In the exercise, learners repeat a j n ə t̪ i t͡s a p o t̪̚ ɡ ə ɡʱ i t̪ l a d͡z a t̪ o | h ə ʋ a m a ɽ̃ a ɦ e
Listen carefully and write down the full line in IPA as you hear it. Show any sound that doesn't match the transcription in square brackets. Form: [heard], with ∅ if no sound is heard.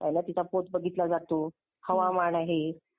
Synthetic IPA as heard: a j n [a] t̪ i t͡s a p o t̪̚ [b] ə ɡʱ i t̪ l a d͡z a t̪ o | h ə ʋ a m a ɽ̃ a ɦ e